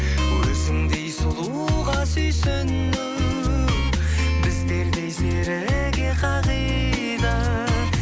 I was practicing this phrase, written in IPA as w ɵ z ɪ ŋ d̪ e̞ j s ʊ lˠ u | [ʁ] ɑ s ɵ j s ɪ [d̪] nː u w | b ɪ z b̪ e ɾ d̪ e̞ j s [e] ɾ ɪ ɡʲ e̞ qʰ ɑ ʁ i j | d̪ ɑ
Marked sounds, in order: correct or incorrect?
correct, incorrect: none, correct

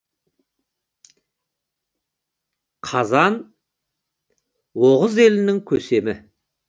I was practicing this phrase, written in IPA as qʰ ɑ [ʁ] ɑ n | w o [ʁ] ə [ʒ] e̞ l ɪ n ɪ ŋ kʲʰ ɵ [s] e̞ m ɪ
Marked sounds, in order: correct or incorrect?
incorrect: z, correct, incorrect: z, correct

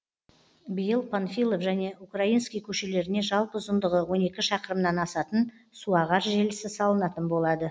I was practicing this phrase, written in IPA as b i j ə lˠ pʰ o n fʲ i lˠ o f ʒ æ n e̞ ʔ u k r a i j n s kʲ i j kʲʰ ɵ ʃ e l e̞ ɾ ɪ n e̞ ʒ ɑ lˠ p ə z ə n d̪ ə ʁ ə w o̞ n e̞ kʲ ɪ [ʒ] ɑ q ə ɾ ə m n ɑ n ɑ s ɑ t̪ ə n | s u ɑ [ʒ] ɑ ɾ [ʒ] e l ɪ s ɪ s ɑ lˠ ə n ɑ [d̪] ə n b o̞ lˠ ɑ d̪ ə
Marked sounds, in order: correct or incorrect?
incorrect: ʃ, incorrect: ʁ, correct, incorrect: t̪

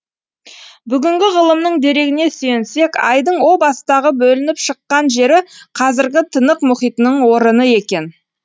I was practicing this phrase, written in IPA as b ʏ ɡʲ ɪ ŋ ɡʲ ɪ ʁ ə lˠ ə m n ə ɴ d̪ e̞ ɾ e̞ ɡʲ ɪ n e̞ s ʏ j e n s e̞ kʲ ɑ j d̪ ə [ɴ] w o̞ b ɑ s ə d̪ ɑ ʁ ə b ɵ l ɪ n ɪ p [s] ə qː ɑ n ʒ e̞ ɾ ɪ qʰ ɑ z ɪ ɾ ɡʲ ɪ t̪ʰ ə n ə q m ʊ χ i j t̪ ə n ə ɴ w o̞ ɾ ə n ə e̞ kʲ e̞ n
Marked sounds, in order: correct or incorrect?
correct, incorrect: ʃ

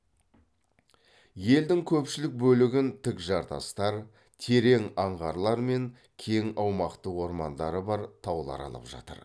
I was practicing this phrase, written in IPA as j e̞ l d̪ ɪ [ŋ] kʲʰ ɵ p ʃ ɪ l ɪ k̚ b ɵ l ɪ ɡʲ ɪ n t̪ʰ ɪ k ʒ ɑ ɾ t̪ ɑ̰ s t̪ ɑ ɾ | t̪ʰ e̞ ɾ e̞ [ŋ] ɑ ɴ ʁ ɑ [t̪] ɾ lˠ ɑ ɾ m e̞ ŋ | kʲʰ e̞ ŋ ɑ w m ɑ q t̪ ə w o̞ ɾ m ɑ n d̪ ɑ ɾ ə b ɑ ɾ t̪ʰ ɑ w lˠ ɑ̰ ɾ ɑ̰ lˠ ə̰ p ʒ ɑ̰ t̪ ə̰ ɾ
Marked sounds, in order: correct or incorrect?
correct, correct, incorrect: none

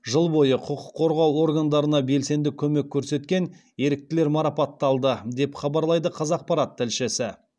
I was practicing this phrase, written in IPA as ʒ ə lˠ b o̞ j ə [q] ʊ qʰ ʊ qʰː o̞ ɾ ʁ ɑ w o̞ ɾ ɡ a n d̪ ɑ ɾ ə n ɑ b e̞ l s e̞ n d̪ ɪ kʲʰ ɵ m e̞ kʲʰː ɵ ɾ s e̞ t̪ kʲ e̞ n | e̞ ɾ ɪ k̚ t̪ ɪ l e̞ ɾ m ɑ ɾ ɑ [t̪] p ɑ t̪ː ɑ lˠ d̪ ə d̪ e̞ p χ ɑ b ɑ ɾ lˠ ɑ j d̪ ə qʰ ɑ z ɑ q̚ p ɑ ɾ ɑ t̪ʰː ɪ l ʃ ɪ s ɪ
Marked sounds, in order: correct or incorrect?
incorrect: qʰ, incorrect: none

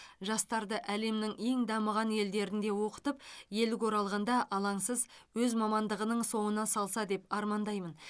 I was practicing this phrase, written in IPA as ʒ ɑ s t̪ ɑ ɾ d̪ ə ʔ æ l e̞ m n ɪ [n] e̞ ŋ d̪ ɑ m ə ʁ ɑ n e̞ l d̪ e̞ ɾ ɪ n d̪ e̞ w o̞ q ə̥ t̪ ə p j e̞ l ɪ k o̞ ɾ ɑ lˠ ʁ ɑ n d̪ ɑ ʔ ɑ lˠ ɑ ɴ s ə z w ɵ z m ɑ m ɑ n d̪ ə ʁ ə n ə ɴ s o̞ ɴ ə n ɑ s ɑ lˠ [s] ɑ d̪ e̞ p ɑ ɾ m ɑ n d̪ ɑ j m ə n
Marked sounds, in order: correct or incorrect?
incorrect: ŋ, correct

